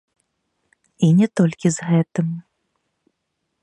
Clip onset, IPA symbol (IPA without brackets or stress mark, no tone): i